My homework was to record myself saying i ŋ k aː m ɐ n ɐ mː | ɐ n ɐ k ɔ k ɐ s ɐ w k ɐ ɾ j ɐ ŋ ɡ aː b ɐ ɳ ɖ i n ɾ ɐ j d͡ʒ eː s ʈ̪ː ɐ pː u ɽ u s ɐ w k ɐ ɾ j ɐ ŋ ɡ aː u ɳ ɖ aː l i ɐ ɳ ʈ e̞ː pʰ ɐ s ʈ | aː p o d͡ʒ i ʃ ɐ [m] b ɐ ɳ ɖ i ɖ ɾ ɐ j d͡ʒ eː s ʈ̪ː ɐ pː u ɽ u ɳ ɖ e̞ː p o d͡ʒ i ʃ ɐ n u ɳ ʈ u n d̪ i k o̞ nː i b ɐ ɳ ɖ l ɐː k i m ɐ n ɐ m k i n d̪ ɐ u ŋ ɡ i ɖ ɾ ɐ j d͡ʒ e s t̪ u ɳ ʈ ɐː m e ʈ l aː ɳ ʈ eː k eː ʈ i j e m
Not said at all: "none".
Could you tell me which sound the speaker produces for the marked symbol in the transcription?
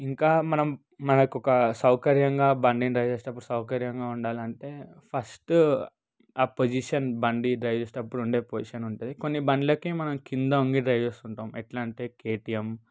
n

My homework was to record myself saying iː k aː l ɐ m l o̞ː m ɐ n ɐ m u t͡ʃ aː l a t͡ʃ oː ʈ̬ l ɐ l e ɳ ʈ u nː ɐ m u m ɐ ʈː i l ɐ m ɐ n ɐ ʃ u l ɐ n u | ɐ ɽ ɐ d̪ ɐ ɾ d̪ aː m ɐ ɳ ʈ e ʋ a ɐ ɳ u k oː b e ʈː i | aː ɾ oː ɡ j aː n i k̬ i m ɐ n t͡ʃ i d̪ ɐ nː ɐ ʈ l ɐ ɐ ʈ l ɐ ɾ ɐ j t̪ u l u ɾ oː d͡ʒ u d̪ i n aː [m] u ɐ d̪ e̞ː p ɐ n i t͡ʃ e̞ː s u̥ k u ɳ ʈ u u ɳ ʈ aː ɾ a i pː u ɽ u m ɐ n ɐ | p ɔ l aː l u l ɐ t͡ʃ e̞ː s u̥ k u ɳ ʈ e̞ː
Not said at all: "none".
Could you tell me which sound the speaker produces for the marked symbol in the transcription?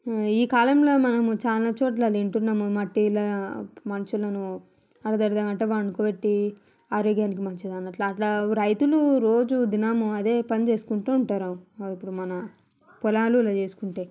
m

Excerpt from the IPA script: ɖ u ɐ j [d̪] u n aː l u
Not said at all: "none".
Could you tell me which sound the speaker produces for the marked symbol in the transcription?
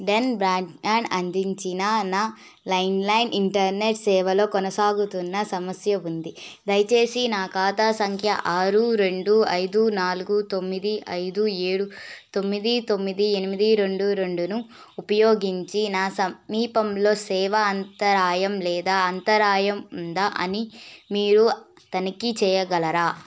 d̪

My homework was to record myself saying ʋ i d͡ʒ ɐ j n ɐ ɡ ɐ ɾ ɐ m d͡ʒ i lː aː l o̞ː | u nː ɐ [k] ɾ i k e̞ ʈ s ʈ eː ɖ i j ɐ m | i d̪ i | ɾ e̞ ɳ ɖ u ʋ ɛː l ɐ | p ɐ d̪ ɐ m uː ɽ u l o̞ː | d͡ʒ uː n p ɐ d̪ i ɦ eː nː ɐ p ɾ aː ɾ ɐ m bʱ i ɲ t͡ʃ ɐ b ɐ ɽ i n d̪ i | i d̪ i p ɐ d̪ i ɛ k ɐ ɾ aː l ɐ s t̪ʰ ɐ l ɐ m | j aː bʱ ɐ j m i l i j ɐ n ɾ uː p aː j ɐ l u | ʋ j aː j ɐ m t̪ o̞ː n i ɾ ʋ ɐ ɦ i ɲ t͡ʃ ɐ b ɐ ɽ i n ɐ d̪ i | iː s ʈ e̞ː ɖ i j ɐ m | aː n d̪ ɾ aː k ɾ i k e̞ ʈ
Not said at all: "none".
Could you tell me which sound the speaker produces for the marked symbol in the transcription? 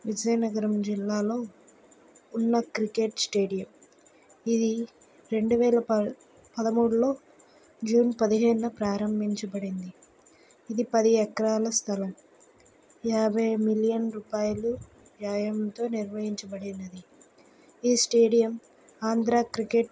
k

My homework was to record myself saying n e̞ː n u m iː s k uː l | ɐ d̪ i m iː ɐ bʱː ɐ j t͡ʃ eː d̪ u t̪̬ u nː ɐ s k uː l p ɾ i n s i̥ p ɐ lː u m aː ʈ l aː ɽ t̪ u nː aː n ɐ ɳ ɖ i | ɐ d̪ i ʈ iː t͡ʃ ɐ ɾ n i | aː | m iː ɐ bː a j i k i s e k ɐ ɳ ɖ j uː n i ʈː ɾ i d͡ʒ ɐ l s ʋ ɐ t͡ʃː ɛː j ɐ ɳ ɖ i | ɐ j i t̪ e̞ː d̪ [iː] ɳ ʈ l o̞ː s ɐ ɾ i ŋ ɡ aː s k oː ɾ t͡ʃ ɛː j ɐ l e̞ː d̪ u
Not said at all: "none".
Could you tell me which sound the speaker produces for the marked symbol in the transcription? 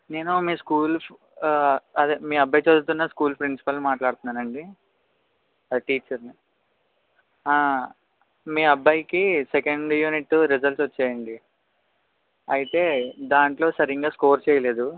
aː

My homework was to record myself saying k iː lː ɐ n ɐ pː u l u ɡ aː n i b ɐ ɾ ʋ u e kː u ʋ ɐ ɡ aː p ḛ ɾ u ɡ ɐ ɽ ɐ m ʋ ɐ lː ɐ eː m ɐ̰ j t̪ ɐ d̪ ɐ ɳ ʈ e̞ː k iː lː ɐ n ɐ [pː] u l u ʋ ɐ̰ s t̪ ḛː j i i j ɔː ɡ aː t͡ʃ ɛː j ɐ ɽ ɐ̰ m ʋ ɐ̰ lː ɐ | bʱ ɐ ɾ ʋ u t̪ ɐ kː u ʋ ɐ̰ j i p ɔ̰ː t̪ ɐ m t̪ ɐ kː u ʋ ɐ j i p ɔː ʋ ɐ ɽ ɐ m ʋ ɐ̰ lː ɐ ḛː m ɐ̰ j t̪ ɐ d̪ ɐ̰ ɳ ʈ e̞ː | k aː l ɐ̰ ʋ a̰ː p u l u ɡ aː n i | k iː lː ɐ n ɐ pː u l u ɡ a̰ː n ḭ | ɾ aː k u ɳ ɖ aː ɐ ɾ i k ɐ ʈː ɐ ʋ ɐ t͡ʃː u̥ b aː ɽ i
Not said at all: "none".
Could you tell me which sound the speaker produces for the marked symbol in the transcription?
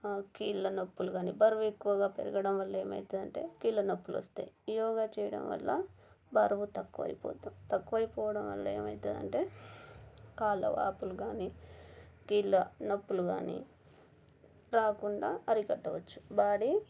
pː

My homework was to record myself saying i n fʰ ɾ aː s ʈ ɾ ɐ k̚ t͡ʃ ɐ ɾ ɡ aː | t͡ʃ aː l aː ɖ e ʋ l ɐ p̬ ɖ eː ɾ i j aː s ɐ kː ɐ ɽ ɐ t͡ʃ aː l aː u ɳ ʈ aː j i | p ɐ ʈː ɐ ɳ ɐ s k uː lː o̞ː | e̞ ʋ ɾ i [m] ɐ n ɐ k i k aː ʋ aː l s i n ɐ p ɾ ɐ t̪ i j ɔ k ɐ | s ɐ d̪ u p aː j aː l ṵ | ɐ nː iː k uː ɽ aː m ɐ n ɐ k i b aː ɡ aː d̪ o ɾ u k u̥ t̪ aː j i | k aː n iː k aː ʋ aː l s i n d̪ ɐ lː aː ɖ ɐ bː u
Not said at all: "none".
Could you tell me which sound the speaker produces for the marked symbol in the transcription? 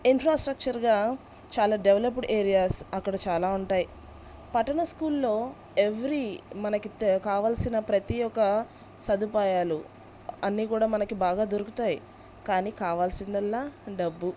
m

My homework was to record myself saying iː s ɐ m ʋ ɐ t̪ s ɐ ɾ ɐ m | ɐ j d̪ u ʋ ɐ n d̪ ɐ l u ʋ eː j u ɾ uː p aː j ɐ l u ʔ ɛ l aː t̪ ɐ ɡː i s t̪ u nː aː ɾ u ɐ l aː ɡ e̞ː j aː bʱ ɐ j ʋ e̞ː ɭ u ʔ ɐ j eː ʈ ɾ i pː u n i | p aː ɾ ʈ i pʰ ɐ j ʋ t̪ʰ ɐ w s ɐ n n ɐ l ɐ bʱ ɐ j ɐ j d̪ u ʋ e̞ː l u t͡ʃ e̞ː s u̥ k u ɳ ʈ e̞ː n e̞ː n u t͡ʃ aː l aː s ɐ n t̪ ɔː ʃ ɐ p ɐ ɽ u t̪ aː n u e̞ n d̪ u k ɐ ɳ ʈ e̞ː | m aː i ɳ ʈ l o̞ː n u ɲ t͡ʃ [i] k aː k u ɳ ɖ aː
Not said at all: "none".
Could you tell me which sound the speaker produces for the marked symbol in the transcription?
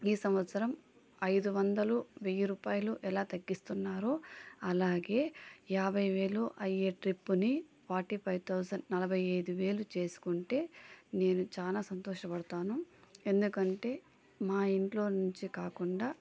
i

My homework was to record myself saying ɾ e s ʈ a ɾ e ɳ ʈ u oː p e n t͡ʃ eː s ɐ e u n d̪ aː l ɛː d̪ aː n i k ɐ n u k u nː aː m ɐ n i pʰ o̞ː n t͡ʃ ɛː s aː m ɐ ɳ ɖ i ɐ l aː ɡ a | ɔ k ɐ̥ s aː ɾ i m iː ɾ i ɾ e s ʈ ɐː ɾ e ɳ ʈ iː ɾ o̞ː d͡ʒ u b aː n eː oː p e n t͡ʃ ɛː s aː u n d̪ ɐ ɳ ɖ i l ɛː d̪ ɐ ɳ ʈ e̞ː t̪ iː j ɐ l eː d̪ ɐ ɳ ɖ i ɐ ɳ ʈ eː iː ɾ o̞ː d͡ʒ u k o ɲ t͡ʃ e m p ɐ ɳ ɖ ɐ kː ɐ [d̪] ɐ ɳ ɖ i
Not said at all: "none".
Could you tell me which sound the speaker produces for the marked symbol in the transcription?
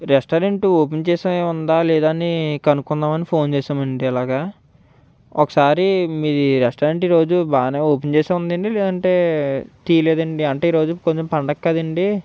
d̪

